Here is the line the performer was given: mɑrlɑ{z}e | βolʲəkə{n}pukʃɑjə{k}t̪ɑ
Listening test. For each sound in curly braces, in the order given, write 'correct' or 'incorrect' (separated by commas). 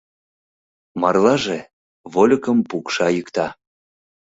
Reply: incorrect, incorrect, correct